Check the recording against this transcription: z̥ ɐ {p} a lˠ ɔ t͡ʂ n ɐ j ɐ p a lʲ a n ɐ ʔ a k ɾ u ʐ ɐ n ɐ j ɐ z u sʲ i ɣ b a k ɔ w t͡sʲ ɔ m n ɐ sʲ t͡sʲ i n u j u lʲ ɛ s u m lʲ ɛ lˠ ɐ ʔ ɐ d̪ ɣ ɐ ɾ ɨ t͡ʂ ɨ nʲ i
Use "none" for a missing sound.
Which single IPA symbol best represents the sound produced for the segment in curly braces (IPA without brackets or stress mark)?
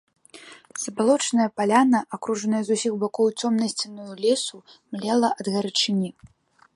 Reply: b